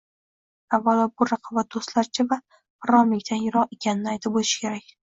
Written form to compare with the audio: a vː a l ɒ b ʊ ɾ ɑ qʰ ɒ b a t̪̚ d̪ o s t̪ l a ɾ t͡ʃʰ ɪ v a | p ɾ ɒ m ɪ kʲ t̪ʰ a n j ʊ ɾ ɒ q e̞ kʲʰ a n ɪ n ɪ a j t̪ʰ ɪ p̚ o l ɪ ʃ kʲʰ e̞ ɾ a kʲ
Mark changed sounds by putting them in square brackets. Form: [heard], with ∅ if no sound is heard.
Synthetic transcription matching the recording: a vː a l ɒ b ʊ ɾ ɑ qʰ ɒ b a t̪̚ d̪ o s t̪ l a ɾ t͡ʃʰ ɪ v a | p ɾ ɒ m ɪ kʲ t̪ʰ a n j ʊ ɾ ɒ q e̞ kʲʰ a n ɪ n ɪ a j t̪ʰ ɪ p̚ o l ɪ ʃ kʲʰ e̞ ɾ a kʲ